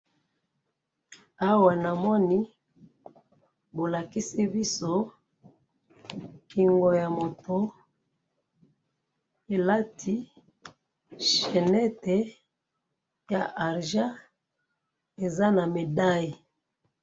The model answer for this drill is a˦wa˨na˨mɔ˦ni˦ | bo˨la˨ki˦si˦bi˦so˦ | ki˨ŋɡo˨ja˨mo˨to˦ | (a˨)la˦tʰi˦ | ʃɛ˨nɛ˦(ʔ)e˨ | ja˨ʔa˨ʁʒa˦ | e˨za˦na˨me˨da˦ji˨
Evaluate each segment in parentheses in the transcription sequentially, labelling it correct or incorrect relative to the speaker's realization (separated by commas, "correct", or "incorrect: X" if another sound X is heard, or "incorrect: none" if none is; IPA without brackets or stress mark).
incorrect: e˨, incorrect: t